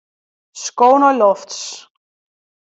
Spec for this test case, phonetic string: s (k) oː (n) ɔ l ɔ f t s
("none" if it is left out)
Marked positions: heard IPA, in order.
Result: k, n

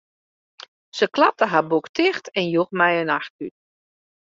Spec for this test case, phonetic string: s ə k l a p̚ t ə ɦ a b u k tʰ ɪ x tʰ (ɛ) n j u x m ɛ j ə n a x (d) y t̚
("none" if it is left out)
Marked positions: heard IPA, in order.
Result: ɛ, t

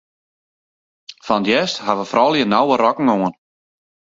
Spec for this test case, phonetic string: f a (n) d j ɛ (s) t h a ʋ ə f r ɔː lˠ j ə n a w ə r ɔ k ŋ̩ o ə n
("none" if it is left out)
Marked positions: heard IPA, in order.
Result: n, s

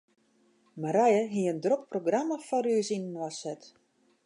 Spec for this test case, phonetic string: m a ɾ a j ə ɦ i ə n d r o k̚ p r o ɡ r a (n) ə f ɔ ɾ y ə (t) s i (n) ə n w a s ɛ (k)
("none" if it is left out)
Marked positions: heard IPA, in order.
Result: m, none, n, t

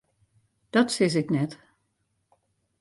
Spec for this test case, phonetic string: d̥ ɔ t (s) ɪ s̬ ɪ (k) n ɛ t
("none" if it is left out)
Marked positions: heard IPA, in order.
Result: s, k

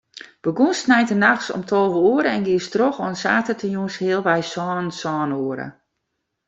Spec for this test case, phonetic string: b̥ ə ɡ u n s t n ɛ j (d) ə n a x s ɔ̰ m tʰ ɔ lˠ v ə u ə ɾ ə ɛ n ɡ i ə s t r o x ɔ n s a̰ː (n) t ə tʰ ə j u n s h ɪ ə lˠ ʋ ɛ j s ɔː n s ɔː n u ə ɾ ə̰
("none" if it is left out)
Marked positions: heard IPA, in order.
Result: t, none

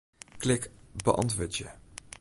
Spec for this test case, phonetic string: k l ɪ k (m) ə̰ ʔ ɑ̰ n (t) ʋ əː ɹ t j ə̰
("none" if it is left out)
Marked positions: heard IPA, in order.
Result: b, t

